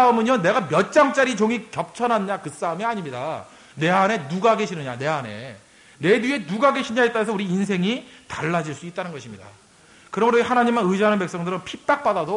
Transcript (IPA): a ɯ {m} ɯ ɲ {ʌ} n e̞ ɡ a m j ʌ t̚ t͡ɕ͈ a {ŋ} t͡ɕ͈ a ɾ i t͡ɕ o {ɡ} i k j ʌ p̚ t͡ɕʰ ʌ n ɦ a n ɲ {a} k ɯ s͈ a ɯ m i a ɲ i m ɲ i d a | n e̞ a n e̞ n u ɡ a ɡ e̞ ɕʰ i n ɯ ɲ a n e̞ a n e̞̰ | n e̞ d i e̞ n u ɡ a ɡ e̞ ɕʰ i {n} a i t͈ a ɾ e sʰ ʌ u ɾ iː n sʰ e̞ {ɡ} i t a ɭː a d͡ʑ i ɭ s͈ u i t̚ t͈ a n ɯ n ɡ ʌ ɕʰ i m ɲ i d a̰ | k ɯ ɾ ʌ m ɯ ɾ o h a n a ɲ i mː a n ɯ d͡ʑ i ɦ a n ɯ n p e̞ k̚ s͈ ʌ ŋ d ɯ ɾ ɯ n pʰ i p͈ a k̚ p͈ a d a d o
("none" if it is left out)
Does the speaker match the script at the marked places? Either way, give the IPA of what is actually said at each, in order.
m, ʌ, ŋ, ŋ, a, ɲ, ŋ

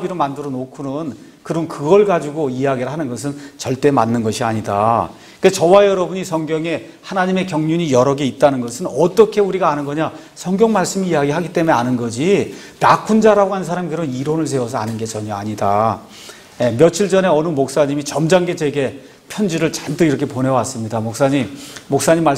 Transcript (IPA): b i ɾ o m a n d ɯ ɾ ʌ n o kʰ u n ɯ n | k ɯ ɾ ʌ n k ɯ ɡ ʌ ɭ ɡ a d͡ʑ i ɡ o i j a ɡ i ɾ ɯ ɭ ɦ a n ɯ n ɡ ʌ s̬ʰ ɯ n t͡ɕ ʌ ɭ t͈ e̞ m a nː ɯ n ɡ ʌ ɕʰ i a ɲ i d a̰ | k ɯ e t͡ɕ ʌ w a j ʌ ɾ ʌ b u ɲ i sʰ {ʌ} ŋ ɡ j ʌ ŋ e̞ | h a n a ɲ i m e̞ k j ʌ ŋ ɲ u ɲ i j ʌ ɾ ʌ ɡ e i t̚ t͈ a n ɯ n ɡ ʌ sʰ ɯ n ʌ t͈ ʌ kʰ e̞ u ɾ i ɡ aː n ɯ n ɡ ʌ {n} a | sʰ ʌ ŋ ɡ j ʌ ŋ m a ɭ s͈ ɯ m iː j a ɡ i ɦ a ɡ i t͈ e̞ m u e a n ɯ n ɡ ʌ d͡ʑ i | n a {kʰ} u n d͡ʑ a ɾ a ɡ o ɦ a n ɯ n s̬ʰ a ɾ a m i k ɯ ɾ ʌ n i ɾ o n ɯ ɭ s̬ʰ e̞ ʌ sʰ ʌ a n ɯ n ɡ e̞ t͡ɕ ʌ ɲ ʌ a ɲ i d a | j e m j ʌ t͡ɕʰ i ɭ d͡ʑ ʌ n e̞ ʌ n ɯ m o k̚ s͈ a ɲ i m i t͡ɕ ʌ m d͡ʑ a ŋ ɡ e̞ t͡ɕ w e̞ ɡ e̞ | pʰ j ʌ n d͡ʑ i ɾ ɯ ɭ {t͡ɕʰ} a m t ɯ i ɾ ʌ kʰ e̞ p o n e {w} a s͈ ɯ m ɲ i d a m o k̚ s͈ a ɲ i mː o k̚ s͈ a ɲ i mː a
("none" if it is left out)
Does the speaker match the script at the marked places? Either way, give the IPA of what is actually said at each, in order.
ʌ, ɲ, kʰ, t͡ɕ, w

